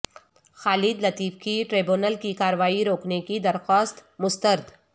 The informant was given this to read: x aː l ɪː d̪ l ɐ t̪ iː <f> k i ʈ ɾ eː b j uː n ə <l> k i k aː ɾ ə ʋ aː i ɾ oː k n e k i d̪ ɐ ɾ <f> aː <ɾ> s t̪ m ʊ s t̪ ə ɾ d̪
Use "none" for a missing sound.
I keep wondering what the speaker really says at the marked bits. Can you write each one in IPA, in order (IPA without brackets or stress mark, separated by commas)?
f, l, x, none